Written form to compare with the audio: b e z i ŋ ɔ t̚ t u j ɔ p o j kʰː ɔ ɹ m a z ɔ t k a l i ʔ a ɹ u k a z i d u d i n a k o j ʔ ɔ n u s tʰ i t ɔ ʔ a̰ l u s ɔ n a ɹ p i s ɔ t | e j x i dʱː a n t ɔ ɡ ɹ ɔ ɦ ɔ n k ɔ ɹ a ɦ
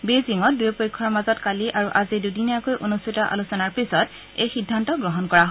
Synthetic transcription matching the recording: b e z i ŋ ɔ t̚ d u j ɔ p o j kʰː ɔ ɹ m a z ɔ t k a l i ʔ a ɹ u ʔ a z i d u d i n a k o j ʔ o n u s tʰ i t ɔ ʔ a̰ l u s ɔ n a ɹ p i s ɔ t | e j x i dʱː a n t ɔ ɡ ɹ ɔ ɦ ɔ n k ɔ ɹ a ɦ